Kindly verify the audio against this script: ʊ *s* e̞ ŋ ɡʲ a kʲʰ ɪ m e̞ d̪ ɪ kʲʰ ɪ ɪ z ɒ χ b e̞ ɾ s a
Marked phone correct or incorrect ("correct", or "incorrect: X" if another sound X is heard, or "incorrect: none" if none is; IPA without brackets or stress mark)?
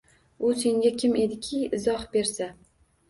correct